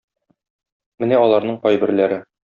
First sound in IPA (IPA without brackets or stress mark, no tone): m